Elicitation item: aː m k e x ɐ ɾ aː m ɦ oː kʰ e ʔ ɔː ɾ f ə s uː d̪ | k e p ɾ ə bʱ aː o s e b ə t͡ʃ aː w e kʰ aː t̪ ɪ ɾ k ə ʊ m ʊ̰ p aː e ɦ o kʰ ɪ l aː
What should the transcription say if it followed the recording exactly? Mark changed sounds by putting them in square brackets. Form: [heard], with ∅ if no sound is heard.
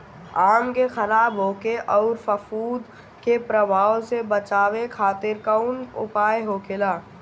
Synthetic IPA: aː m k e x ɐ ɾ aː [b] ɦ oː [k] e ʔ ɔː ɾ f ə [f] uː d̪ | k e p ɾ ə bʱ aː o s e b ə t͡ʃ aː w e kʰ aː t̪ ɪ ɾ k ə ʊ [n] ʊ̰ p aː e ɦ o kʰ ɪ l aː

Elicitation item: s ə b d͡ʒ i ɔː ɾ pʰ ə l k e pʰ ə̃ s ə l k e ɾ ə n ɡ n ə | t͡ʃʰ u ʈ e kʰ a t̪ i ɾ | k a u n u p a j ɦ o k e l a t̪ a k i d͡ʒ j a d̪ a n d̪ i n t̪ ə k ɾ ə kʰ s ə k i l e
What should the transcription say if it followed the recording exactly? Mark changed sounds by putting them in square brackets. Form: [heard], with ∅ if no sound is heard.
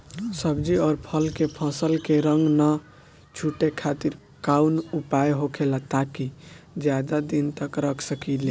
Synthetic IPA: s ə b d͡ʒ i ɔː ɾ pʰ ə l k e pʰ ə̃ s ə l k e ɾ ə [ŋ] ɡ n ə | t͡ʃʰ u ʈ e kʰ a t̪ i ɾ | k a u n u p a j ɦ o [kʰ] e l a t̪ a k i d͡ʒ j a d̪ a [∅] d̪ i n t̪ ə k ɾ ə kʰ s ə k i l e

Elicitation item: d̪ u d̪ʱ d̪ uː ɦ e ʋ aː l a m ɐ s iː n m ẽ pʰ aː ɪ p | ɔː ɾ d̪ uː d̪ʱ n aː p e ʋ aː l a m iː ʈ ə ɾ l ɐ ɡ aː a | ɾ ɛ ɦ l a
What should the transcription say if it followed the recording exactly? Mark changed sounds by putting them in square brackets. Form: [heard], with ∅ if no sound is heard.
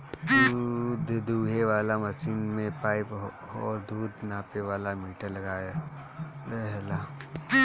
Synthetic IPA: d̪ u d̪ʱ d̪ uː ɦ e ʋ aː l a m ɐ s iː n m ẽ [p] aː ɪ p | ɔː ɾ d̪ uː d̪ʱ n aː p e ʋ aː l a m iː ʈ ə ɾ l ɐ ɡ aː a | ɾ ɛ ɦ l a

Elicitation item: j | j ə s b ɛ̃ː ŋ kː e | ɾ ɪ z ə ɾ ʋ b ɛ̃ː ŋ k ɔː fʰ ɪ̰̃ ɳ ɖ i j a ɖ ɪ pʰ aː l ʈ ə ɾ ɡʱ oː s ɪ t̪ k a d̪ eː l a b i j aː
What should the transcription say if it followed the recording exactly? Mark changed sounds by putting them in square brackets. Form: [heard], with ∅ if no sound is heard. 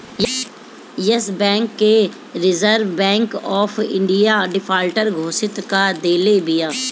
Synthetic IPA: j | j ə s b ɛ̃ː ŋ kː e | ɾ ɪ z ə ɾ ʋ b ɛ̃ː ŋ k ɔː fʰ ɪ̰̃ ɳ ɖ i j a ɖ ɪ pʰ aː l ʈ ə ɾ ɡʱ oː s ɪ t̪ k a d̪ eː l [e] b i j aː

